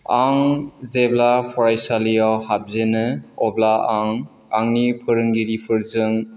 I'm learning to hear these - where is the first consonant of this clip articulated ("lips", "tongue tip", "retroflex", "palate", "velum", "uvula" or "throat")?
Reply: velum